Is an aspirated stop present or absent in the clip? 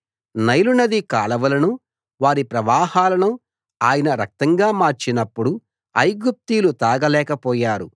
absent